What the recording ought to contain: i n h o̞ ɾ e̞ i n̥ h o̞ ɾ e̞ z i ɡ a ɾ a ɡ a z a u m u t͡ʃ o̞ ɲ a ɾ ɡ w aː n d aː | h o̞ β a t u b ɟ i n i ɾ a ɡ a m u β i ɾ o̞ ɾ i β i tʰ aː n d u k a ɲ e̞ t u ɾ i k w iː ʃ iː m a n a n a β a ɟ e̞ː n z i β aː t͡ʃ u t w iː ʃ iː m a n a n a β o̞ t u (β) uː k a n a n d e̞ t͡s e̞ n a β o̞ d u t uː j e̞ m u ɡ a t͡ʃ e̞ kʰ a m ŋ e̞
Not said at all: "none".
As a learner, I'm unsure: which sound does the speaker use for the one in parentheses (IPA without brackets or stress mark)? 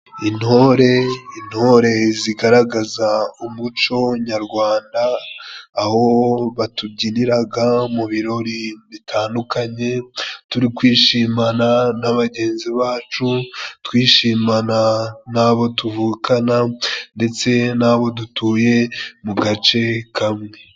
v